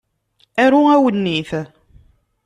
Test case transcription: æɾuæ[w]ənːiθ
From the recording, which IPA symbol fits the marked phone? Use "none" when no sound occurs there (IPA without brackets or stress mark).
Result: w